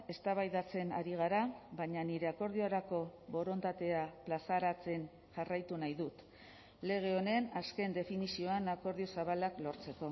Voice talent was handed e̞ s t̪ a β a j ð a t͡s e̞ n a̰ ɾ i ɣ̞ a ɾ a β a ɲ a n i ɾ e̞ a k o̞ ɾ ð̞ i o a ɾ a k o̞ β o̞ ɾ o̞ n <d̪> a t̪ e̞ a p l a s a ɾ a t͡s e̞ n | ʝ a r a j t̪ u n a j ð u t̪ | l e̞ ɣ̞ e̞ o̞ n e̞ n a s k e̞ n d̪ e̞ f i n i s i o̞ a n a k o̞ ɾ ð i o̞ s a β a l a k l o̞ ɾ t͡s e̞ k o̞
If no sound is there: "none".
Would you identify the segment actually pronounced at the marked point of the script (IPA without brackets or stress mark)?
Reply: t̪